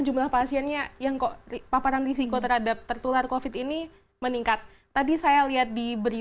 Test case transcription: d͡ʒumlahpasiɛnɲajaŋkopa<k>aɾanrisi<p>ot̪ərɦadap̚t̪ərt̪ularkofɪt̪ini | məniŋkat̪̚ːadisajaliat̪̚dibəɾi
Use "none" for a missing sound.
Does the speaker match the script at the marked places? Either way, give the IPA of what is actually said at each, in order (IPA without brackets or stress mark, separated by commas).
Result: p, k